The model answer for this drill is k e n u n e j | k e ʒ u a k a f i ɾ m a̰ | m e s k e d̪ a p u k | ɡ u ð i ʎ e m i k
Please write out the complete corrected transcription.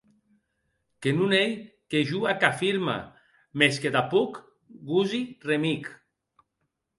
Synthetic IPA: k e n u n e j | k e ʒ u a k a f i ɾ m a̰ | m e s k e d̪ a p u k | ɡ u z i r e m i k